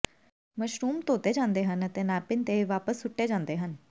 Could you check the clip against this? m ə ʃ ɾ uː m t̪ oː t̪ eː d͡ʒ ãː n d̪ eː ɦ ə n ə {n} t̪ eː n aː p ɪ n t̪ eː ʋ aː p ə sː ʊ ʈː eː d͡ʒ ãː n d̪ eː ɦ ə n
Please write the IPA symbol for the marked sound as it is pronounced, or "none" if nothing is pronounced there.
none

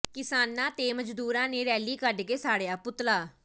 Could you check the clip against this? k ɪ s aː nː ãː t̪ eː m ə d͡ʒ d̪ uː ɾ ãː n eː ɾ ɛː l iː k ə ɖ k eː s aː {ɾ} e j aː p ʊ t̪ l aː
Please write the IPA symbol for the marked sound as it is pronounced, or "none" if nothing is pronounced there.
ɽ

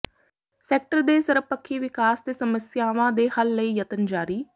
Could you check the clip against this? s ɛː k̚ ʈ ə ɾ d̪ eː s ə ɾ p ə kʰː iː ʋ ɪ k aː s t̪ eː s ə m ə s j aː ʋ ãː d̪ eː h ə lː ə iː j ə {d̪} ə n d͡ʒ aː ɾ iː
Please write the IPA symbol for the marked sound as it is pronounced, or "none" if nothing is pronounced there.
t̪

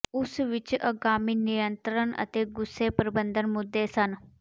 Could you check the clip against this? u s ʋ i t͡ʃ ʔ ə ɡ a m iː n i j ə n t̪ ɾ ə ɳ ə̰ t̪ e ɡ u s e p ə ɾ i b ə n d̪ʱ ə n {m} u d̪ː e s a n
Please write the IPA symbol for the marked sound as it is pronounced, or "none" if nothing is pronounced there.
m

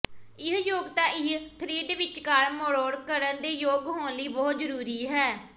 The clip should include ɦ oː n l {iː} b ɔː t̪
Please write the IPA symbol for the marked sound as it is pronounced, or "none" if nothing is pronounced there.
iː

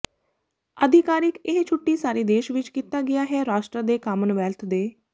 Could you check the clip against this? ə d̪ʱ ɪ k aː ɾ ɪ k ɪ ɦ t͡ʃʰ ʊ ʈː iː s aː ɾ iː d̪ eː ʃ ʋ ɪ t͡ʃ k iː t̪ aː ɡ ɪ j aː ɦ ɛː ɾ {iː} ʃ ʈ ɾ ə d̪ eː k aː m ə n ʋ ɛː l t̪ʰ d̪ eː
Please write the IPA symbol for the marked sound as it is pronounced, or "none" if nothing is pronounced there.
aː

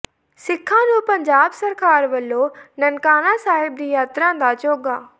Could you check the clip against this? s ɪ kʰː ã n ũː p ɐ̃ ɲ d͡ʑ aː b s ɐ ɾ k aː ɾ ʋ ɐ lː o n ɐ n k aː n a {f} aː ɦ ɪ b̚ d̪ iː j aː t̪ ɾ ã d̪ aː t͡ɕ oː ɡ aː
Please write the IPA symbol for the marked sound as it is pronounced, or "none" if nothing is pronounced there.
s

